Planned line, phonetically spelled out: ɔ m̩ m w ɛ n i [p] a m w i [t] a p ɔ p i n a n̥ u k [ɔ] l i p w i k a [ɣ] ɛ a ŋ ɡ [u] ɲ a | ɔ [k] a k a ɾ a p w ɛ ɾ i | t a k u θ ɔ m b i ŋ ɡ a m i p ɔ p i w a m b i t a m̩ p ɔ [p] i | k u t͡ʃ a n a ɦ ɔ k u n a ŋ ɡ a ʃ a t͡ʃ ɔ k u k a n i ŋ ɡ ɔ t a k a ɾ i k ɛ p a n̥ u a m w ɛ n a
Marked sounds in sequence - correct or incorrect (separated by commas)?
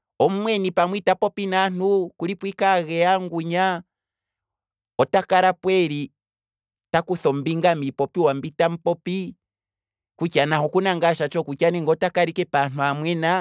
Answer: correct, correct, incorrect, correct, correct, incorrect, correct